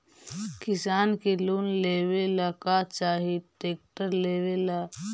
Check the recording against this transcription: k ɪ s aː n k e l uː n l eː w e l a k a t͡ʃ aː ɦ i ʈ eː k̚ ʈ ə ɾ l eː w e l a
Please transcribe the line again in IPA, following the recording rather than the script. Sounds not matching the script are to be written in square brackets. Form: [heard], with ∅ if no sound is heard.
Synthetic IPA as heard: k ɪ s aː n k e l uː n l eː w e l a k a t͡ʃ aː ɦ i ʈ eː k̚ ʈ ə ɾ l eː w e l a